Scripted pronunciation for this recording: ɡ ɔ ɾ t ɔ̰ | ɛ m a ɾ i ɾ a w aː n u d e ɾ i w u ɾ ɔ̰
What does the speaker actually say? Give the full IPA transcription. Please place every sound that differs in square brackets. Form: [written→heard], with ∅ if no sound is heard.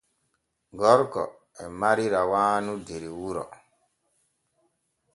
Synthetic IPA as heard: ɡ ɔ ɾ [t→k] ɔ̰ | ɛ m a ɾ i ɾ a w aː n u d e ɾ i w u ɾ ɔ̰